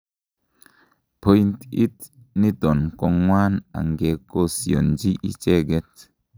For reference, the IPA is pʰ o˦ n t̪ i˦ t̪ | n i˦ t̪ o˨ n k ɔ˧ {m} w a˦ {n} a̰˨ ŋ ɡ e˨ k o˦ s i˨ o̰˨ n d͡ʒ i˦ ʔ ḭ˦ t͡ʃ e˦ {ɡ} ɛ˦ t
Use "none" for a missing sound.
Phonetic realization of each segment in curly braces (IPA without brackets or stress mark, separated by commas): ŋ, n, ɡ